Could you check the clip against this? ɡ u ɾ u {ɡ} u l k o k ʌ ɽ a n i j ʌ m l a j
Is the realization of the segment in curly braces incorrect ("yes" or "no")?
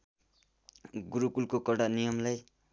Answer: yes